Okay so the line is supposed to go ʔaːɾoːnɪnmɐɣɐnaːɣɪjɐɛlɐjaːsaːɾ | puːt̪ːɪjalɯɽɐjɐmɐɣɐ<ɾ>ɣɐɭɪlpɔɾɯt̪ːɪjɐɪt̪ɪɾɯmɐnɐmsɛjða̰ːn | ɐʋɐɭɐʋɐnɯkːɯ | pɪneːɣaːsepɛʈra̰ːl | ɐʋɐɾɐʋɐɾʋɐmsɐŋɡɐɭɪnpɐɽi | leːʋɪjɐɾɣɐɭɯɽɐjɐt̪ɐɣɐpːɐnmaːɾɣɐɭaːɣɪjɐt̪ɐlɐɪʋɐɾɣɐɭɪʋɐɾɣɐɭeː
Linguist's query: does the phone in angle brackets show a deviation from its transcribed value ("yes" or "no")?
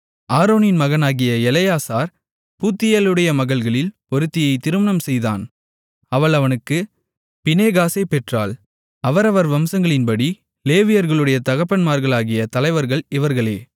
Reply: yes